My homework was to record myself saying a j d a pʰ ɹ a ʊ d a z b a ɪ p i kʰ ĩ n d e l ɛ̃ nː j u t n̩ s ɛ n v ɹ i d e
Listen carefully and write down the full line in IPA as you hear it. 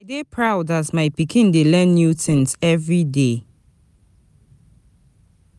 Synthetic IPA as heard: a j d e pʰ ɹ a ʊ d a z m a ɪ p i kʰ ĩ n d e l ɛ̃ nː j u t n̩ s ɛ v ɹ i d e

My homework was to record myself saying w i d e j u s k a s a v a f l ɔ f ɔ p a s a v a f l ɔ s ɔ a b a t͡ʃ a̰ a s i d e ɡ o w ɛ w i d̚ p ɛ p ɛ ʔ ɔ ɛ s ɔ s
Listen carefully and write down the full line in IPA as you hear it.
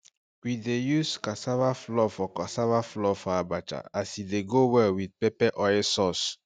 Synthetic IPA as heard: w i d e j u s k a s a v a f l ɔ f ɔ k a s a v a f l ɔ f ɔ a b a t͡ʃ a̰ a s i d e ɡ o w ɛ w i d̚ p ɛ p ɛ ʔ ɔ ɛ s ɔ s

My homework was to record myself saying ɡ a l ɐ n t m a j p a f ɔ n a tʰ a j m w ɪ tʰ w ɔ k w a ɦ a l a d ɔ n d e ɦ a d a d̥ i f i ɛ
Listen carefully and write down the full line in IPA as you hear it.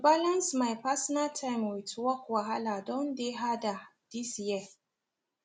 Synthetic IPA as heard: b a l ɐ n s m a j p a s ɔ n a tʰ a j m w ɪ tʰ w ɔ k w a ɦ a l a d ɔ n d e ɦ a d a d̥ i s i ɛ

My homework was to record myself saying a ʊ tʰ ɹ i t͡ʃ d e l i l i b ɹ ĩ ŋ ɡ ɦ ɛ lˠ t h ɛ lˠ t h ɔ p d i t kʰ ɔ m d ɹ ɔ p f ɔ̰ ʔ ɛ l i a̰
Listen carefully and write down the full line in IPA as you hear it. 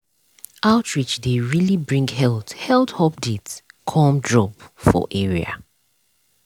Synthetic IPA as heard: a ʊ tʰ ɹ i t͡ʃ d e ɹ i l i b ɹ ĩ ŋ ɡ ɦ ɛ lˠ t h ɛ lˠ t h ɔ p d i t kʰ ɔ m d ɹ ɔ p f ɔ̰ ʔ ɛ ɹ i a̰

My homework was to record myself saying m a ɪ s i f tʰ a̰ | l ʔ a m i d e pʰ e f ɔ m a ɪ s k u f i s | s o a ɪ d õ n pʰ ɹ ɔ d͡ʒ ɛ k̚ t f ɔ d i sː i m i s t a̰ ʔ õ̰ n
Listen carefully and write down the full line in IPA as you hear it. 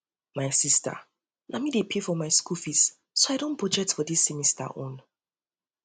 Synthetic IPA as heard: m a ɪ s i s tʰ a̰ | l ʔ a m i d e pʰ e f ɔ m a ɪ s k u f i s | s o a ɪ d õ n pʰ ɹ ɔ d͡ʒ ɛ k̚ t f ɔ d i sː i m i s t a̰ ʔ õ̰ n

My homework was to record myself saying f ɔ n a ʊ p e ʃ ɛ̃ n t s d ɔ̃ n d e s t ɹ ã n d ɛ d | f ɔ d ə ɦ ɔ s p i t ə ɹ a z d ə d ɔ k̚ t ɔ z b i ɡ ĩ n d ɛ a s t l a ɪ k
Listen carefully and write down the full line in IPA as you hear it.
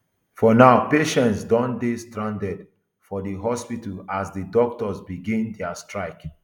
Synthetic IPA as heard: f ɔ n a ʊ p e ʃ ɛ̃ n t s d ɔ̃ n d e s t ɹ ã n d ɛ d | f ɔ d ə ɦ ɔ s p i t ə l a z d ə d ɔ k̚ t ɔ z b i ɡ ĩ n d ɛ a s t ɹ a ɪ k

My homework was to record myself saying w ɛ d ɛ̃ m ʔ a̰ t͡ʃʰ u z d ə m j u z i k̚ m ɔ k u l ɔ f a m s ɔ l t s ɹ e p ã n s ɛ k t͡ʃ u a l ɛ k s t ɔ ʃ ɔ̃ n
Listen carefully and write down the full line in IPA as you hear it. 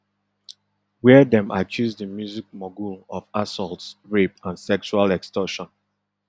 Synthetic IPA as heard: w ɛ d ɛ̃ m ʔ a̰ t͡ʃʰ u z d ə m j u z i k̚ m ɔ ɡ u l ɔ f a s ɔ l t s ɹ e p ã n s ɛ k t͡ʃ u a l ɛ k s t ɔ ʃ ɔ̃ n

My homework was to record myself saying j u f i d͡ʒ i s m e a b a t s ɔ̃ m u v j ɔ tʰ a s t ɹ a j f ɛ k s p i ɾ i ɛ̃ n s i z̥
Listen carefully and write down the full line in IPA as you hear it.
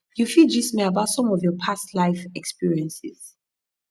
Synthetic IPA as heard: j u f i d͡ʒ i s m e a b a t s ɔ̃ m ɔ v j ɔ pʰ a s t l a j f ɛ k s p i ɹ i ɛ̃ n s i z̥

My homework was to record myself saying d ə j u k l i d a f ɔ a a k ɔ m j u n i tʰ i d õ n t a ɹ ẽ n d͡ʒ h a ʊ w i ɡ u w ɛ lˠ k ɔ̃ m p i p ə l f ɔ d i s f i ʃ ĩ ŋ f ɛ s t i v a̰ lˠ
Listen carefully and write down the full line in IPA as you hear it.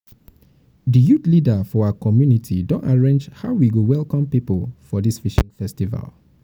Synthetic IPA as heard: d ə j u t l i d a f ɔ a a k ɔ m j u n i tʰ i d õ n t a ɹ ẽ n d͡ʒ h a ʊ w i ɡ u w ɛ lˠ k ɔ̃ m p i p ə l f ɔ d i s f i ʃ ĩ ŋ f ɛ s t i v a̰ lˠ

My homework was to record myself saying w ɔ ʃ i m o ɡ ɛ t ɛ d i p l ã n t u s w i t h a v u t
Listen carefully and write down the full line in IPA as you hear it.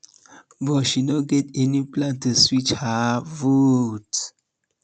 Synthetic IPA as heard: b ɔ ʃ i n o ɡ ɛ t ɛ n i p l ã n t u s w i t͡ʃ h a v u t

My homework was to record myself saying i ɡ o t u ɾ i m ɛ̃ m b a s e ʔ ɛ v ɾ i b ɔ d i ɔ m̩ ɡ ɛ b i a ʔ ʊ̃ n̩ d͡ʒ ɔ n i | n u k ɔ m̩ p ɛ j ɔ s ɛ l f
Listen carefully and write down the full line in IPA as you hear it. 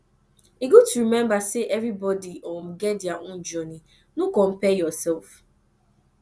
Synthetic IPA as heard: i ɡ o t u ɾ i m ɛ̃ m b a s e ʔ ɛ v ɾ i b ɔ d i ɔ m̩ ɡ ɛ d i a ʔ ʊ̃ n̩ d͡ʒ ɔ n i | n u k ɔ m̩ p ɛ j ɔ s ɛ l f

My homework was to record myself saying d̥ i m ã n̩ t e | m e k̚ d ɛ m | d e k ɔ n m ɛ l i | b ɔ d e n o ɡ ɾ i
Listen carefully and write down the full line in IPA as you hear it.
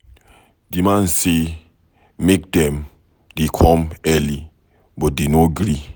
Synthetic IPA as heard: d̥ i m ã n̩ s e | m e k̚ d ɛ m | d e kʰ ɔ m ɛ l i | b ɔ d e n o ɡ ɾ i

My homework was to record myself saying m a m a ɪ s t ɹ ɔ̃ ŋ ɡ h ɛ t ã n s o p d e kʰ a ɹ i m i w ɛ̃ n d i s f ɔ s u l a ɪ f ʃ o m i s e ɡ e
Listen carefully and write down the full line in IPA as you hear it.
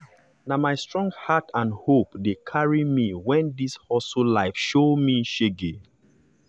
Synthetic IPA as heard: n a m a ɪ s t ɹ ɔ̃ ŋ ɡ h a t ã n h o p d e kʰ a ɹ i m i w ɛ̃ n d i s h ɔ s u l a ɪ f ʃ o m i ʃ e ɡ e

